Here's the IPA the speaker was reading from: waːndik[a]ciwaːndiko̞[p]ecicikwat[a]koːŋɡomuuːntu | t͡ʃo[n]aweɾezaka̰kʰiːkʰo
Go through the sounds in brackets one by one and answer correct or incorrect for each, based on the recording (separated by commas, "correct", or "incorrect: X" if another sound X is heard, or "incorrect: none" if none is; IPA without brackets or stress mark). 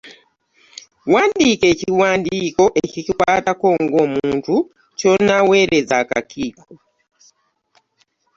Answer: incorrect: e, incorrect: ʔ, correct, correct